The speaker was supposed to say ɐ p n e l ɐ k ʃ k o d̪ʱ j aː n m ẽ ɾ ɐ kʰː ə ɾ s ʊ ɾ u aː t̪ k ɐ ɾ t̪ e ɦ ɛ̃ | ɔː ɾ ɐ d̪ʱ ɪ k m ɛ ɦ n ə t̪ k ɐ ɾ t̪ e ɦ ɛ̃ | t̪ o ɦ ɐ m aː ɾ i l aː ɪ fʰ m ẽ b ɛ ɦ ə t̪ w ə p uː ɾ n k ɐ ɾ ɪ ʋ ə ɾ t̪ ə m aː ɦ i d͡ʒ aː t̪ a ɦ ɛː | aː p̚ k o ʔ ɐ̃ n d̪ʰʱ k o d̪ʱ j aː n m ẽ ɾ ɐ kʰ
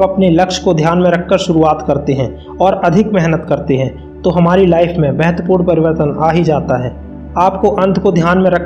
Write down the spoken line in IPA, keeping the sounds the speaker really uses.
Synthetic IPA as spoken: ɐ p n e l ɐ k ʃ k o d̪ʱ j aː n m ẽ ɾ ɐ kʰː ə ɾ ʃ ʊ ɾ u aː t̪ k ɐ ɾ t̪ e ɦ ɛ̃ | ɔː ɾ ɐ d̪ʱ ɪ k m ɛ ɦ n ə t̪ k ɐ ɾ t̪ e ɦ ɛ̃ | t̪ o ɦ ɐ m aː ɾ i l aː ɪ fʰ m ẽ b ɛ ɦ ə t̪ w ə p uː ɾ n p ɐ ɾ ɪ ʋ ə ɾ t̪ ə n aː ɦ i d͡ʒ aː t̪ a ɦ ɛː | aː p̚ k o ʔ ɐ̃ n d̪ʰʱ k o d̪ʱ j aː n m ẽ ɾ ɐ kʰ